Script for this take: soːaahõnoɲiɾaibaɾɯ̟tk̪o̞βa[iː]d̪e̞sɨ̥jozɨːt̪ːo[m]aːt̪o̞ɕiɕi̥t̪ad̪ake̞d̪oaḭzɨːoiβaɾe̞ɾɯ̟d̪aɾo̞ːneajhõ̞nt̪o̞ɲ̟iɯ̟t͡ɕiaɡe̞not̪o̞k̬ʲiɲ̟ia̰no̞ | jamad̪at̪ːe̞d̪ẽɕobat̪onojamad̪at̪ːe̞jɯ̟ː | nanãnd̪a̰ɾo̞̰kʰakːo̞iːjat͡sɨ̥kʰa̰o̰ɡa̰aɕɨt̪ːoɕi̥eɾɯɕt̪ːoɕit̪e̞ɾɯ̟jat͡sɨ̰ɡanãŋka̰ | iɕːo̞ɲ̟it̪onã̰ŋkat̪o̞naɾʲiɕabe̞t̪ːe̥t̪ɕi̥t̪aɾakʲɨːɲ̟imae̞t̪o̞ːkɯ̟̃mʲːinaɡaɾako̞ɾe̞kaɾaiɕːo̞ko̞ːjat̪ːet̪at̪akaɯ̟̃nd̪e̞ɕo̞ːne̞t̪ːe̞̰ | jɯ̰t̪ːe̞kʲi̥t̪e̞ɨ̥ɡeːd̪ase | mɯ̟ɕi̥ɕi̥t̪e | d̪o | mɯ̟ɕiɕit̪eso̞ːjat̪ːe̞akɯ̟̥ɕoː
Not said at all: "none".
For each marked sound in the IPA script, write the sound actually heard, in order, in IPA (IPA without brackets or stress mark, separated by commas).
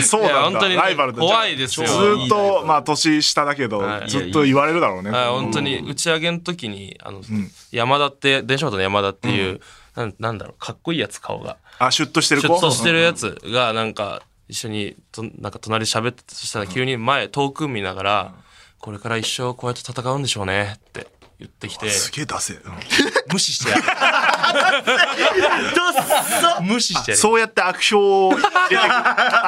i, m